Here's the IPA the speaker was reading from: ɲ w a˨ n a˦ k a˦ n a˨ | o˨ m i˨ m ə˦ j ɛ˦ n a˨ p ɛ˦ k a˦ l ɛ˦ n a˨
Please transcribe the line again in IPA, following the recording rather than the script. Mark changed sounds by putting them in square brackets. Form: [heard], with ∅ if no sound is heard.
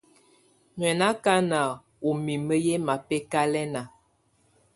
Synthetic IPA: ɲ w [ɛ˨] n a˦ k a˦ n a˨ | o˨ m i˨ m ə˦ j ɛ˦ [m] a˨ p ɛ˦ k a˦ l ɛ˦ n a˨